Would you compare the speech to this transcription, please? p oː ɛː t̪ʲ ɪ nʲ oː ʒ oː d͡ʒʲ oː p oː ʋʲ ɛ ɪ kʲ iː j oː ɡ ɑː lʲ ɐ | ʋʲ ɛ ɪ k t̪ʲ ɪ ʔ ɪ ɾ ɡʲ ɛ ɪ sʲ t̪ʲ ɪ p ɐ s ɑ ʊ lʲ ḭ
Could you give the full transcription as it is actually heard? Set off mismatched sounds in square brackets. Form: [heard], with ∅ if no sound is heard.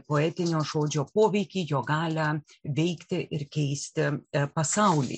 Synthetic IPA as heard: p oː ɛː t̪ʲ ɪ nʲ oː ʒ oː d͡ʒʲ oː p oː ʋʲ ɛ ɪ kʲ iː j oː ɡ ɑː lʲ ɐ | ʋʲ ɛ ɪ k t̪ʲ ɪ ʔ ɪ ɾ [kʲ] ɛ ɪ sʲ t̪ʲ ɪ p ɐ s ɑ ʊ lʲ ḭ